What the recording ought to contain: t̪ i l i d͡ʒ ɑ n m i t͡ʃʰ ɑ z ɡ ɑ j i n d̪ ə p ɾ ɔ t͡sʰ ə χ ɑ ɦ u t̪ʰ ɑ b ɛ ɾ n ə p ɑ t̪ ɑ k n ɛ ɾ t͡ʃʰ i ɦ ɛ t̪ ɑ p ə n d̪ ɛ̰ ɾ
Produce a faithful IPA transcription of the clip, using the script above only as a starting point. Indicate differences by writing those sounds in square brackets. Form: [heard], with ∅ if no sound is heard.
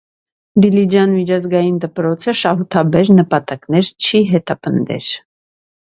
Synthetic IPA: [d̪] i l i d͡ʒ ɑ n m i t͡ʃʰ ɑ z ɡ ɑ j i n d̪ ə p ɾ ɔ t͡sʰ ə [ʃ] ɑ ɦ u t̪ʰ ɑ b ɛ ɾ n ə p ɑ t̪ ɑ k n ɛ ɾ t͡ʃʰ i ɦ ɛ t̪ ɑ p ə n d̪ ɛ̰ ɾ